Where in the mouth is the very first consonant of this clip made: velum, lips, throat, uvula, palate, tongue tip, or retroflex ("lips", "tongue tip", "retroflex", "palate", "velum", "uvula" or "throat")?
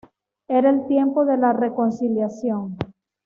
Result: tongue tip